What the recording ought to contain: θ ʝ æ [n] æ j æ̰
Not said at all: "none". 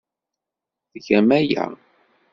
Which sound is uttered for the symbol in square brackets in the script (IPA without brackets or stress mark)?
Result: m